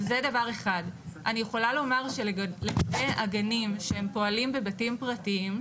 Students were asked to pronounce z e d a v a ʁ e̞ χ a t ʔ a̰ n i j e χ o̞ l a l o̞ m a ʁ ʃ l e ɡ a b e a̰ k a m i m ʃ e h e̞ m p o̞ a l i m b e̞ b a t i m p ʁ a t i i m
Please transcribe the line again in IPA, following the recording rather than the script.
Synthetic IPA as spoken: z e d a v a ʁ e̞ χ a d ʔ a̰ n i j e χ o̞ l a l o̞ m a ʁ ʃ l e ɡ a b e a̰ ɡ a n i m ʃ e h e̞ m p o̞ a l i m b e̞ b a t i m p ʁ a t i i m

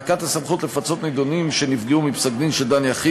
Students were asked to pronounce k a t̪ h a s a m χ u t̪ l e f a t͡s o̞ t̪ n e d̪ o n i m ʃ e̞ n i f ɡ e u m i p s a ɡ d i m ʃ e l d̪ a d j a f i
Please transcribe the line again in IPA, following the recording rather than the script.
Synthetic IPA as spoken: k a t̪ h a s a m χ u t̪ l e f a t͡s o̞ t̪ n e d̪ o n i m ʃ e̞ n i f ɡ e u m i p s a ɡ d i n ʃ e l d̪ a n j a χ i

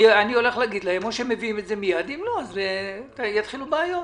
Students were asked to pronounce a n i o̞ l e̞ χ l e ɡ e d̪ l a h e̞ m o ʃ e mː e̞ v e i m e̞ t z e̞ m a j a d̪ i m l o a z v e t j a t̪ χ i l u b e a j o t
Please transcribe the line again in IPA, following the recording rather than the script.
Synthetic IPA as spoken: a n i o̞ l e̞ χ l a ɡ i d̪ l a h e̞ m o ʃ e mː e̞ v i i m e̞ t z e̞ m i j a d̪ i m l o a z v e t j a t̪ χ i l u b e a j o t

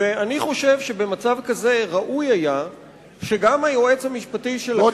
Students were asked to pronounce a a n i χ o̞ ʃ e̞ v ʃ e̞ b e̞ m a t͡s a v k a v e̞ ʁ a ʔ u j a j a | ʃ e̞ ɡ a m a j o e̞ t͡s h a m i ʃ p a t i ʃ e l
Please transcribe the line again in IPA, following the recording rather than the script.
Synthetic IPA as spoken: e a n i χ o̞ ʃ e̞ v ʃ e̞ b e̞ m a t͡s a v k a z e̞ ʁ a ʔ u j a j a | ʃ e̞ ɡ a m a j o e̞ t͡s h a m i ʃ p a t i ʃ e l

